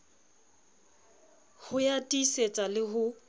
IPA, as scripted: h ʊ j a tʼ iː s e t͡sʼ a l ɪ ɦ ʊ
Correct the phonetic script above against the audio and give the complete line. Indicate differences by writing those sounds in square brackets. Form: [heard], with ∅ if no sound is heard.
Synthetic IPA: h ʊ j a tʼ [i] s e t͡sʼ a l ɪ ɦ ʊ